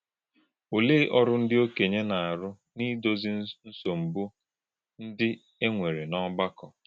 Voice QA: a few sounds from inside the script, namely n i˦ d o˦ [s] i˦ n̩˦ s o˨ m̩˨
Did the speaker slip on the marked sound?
yes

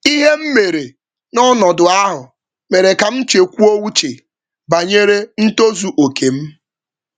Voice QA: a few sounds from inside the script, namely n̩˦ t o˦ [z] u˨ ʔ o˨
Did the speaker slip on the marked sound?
no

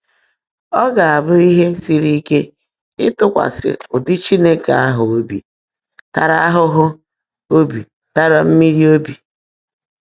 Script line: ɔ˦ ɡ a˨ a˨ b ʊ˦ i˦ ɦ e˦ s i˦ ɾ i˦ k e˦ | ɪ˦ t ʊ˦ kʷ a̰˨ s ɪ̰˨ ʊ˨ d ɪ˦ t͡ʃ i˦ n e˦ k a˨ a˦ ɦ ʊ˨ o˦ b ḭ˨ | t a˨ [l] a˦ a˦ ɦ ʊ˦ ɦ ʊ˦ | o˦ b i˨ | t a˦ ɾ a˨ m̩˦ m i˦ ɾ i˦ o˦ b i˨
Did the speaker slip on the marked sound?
yes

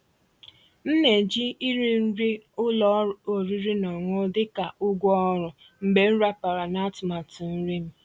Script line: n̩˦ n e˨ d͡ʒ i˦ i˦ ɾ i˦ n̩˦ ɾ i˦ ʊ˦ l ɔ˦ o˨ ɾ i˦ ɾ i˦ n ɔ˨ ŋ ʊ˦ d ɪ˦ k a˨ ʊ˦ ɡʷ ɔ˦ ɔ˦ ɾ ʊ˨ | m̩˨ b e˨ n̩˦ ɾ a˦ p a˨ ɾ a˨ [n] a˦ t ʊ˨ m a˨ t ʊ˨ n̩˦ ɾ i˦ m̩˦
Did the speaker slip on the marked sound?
no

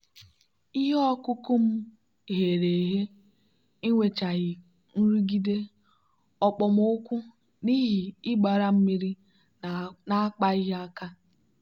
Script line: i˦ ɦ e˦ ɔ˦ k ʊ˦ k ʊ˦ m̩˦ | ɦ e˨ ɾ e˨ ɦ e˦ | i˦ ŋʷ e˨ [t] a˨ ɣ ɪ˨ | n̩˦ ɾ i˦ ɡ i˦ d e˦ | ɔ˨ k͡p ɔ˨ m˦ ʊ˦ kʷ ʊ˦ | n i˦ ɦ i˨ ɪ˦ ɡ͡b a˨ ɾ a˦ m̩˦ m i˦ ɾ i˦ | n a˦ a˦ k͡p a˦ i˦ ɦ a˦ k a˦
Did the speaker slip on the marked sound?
yes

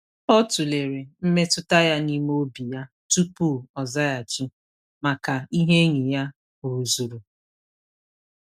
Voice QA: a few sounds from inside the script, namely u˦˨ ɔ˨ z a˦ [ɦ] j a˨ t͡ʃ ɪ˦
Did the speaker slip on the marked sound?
yes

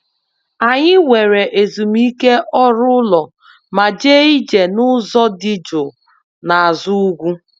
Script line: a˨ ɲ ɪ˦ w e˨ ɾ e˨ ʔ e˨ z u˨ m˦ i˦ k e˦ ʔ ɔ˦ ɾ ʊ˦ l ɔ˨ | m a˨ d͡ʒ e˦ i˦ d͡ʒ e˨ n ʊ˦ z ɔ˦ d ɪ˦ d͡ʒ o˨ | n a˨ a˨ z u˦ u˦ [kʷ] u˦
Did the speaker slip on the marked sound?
yes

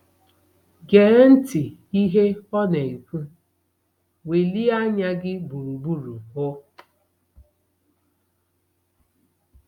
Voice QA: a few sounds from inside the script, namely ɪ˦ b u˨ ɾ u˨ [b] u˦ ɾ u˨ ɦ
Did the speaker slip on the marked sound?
no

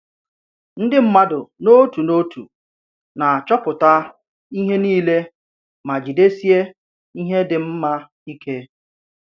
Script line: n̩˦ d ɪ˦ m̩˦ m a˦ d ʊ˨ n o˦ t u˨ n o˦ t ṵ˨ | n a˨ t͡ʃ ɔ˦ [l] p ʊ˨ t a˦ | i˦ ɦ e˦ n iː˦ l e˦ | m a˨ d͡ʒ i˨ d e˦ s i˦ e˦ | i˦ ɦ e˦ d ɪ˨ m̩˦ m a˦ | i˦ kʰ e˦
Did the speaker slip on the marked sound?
yes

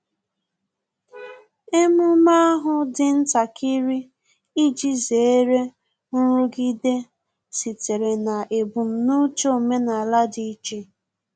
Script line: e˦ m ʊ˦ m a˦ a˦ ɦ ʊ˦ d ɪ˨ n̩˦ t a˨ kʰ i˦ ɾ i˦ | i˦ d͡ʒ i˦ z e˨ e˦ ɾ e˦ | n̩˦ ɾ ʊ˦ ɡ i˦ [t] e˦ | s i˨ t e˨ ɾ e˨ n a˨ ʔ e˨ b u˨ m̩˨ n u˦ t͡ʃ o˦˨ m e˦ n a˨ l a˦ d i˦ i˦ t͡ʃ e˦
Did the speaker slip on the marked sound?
yes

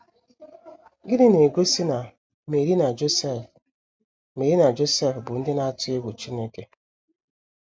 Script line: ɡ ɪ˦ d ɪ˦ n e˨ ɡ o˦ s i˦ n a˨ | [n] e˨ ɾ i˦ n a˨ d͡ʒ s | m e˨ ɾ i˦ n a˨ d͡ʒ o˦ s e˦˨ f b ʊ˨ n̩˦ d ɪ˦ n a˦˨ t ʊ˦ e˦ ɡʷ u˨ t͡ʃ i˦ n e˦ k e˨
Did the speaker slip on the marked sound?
yes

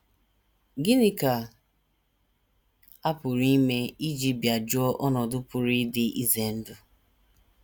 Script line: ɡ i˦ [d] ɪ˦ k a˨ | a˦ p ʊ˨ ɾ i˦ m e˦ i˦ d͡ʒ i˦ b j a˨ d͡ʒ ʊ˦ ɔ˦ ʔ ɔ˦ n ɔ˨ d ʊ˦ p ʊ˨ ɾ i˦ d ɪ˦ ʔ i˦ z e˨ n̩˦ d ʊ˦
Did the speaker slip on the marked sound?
yes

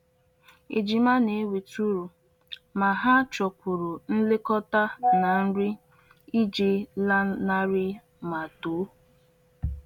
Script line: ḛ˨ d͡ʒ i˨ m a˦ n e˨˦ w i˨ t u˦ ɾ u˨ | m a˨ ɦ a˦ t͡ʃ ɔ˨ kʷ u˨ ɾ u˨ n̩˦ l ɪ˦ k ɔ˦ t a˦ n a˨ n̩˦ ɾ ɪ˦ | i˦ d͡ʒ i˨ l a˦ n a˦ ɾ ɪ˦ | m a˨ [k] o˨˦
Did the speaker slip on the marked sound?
yes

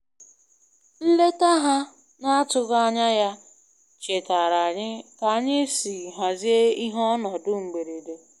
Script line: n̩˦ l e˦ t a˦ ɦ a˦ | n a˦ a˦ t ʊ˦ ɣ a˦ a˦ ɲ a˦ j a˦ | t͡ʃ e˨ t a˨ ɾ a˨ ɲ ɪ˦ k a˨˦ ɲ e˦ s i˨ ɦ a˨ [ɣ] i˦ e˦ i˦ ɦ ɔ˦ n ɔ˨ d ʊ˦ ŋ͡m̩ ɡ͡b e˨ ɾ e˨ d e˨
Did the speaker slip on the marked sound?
yes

